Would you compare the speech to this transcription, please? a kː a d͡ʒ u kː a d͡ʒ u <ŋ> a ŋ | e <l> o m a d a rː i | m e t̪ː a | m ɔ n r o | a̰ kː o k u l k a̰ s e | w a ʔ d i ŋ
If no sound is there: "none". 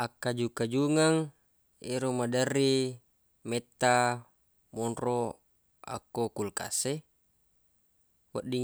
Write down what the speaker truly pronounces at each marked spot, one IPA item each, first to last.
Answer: ŋ, ɾ

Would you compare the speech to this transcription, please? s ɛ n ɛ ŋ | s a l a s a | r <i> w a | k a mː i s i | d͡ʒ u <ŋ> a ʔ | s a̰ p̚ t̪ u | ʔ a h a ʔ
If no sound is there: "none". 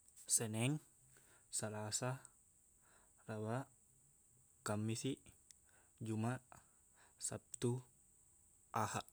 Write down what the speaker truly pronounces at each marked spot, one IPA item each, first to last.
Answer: a, m

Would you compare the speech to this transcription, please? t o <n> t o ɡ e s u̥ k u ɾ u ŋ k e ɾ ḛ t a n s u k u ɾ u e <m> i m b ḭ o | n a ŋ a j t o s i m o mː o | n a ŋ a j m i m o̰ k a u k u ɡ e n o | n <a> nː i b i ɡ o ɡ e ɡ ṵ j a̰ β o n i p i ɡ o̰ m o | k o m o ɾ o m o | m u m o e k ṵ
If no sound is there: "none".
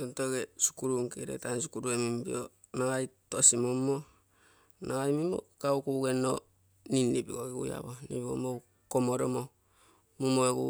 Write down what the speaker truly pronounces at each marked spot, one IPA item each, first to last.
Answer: n, m, i

